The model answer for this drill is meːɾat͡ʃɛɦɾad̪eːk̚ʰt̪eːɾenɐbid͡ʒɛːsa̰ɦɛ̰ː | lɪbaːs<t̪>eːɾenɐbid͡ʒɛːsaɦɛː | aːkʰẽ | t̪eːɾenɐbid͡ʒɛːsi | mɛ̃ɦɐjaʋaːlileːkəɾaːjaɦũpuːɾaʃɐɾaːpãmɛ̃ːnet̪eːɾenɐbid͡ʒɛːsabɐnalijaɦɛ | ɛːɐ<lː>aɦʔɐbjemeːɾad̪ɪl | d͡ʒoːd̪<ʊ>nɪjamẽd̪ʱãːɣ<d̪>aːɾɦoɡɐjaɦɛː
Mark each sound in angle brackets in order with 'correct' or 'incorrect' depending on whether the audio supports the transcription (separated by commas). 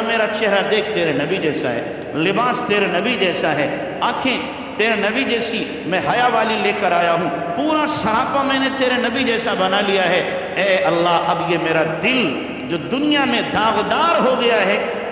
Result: correct, correct, correct, correct